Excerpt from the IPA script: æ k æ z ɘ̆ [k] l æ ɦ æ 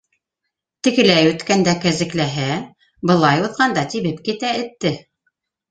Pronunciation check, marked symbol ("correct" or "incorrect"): correct